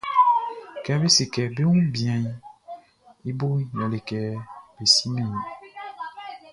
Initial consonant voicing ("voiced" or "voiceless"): voiceless